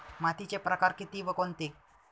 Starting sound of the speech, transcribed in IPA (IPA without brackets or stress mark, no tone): m